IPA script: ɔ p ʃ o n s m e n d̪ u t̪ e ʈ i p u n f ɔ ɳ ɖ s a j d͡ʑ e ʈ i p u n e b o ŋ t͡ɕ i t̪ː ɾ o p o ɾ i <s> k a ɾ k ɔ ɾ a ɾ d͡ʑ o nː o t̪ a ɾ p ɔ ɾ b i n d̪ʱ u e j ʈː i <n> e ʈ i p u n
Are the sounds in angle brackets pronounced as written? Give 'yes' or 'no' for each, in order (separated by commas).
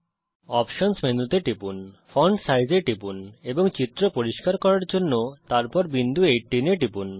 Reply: no, yes